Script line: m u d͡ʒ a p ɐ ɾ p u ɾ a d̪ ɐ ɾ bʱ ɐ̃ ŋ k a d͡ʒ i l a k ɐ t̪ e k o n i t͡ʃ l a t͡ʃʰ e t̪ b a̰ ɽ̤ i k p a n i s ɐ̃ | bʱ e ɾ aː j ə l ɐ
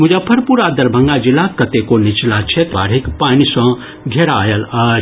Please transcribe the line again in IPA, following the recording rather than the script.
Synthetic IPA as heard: m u d͡ʒ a pʰ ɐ ɾ p u ɾ a d̪ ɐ ɾ bʱ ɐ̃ ŋ ɡ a d͡ʒ i l a k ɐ t̪ e k o n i t͡ʃ l a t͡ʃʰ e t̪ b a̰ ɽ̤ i k p a n i s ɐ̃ | ɡʱ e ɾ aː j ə l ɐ